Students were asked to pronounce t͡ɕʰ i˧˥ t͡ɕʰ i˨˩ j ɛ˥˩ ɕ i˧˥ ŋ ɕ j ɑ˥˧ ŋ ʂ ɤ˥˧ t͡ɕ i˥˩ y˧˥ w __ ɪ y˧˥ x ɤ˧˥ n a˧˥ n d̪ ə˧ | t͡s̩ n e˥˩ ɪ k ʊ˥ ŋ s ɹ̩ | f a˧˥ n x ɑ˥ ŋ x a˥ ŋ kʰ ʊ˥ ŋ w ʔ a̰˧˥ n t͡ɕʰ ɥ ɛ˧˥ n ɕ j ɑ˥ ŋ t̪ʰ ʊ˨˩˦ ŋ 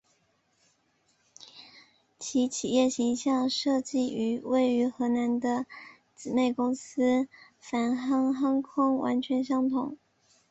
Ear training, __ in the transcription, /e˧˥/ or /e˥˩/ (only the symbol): e˥˩